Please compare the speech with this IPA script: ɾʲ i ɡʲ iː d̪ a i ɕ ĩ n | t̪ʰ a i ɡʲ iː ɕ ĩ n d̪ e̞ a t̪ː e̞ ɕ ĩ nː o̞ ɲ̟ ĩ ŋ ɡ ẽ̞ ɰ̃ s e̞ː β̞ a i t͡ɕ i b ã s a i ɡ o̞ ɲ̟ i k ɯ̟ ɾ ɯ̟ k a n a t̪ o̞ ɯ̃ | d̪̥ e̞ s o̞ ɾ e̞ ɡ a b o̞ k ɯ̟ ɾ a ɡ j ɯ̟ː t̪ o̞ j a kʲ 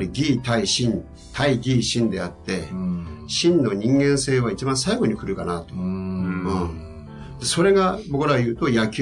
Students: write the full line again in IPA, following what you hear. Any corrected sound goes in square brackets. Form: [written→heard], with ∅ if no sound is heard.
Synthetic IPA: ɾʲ i ɡʲ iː [d̪→t̪] a i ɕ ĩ n | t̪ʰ a i ɡʲ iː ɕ ĩ n d̪ e̞ a t̪ː e̞ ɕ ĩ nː o̞ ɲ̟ ĩ ŋ ɡ ẽ̞ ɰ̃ s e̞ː β̞ a i t͡ɕ i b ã s a i ɡ o̞ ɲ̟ i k ɯ̟ ɾ ɯ̟ k a n a t̪ o̞ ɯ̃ | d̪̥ e̞ s o̞ ɾ e̞ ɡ a b o̞ k ɯ̟ ɾ a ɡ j ɯ̟ː t̪ o̞ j a kʲ